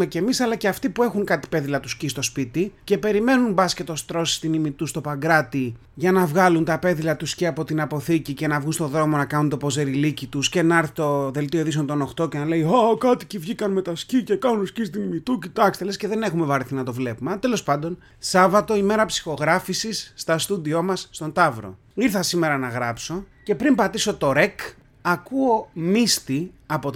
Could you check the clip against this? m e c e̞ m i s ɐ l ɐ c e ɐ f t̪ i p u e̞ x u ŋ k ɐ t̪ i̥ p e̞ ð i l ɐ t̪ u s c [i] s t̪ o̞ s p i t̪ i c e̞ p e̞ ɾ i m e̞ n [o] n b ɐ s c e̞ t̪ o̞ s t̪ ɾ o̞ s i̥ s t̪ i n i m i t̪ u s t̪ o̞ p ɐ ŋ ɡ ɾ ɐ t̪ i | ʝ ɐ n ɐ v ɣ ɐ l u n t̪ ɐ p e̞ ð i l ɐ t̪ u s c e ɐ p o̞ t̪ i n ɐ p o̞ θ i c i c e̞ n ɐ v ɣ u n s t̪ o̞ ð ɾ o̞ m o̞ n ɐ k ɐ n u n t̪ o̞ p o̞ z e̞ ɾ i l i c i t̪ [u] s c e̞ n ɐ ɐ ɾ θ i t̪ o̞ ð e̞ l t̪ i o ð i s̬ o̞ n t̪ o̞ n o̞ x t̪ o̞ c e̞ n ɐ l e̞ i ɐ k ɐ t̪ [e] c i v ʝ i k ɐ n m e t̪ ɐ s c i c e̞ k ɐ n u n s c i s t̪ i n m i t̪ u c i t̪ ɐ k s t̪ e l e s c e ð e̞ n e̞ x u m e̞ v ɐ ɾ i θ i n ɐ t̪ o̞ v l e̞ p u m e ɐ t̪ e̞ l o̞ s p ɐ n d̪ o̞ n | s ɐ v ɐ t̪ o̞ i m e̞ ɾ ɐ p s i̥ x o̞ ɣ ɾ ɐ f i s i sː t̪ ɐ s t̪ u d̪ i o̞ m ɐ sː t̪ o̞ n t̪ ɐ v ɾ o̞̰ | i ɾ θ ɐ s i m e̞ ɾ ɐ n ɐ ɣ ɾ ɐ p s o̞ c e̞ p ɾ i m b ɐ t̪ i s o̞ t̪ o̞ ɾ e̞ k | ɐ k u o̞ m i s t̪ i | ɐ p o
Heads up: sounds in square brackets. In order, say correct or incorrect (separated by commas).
correct, incorrect, correct, incorrect